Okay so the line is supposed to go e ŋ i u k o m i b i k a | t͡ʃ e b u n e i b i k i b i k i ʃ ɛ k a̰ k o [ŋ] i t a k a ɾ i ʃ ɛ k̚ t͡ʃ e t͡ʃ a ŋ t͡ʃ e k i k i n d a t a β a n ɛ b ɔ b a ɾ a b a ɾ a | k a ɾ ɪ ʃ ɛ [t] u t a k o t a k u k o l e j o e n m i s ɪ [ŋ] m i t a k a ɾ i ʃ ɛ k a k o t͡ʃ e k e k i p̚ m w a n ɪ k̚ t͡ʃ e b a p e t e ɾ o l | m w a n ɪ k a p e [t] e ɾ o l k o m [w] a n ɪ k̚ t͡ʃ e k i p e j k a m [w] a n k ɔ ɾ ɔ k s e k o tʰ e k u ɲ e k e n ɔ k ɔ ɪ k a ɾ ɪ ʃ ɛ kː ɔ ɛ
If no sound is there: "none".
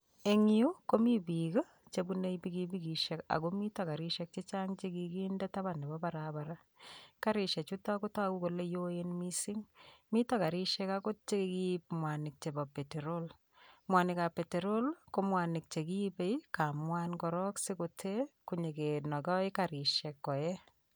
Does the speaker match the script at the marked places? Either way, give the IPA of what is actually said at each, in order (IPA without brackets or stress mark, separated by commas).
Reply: m, t͡ʃ, ŋ, t, w, w